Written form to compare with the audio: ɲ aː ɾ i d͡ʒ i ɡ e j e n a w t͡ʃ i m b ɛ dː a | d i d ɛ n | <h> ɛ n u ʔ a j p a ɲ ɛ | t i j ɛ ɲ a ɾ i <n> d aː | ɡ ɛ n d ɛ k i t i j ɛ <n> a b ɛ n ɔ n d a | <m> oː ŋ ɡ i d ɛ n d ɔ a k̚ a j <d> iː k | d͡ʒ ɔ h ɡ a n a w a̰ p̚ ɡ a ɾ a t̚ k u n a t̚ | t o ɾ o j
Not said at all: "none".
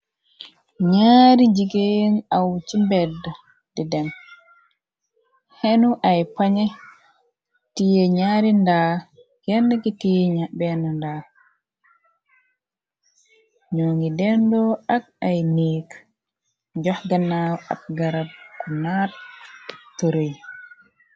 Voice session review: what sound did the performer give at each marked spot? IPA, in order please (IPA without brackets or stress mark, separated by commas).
h, n, ɲ, ɲ, n